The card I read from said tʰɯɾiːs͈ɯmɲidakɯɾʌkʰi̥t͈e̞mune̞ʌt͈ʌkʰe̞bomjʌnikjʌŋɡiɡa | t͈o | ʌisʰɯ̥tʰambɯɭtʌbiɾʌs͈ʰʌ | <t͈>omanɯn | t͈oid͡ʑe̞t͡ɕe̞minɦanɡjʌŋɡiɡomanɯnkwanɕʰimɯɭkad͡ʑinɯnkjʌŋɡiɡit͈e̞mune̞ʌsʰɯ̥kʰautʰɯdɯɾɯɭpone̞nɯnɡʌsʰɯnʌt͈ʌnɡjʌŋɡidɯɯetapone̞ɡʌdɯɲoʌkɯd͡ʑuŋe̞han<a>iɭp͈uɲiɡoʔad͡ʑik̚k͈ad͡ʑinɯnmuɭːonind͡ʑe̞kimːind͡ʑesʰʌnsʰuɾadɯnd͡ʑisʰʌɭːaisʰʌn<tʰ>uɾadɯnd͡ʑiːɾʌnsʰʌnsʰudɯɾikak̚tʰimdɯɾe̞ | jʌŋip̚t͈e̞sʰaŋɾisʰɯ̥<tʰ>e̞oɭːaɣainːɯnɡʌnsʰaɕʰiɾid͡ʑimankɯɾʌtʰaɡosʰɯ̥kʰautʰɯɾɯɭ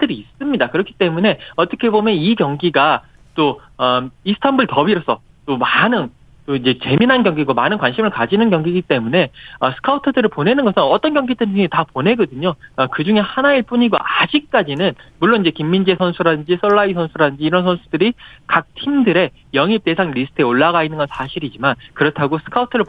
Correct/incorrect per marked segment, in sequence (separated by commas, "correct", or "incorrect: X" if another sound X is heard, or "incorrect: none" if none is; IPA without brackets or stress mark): correct, correct, incorrect: sʰ, correct